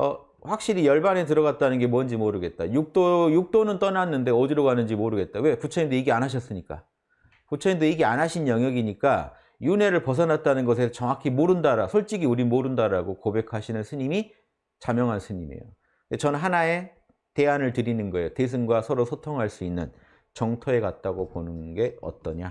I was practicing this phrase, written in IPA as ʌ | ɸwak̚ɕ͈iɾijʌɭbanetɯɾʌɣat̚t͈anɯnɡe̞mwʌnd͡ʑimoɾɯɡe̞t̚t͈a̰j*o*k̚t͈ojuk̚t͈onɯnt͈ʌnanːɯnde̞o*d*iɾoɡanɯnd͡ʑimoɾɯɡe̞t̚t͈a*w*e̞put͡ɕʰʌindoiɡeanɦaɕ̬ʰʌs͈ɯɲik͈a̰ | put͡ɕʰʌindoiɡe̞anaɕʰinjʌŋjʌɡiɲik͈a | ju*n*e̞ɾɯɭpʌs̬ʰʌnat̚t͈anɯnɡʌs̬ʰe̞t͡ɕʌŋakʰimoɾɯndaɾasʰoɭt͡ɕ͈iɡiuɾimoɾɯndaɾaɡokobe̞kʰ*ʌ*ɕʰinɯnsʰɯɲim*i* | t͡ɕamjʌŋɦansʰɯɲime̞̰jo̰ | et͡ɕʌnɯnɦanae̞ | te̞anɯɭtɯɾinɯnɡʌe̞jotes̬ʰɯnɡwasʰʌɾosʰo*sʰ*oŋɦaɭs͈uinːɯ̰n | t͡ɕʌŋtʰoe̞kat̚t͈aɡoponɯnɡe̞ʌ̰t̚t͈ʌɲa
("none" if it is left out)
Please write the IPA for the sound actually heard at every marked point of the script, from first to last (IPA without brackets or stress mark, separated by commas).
u, d, w, n, a, i, tʰ